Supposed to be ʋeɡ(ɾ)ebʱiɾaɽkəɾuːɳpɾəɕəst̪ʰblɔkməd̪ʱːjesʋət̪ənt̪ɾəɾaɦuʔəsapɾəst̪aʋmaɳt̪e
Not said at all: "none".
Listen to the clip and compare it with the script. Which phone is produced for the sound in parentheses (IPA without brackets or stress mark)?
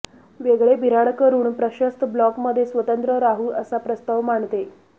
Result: ɭ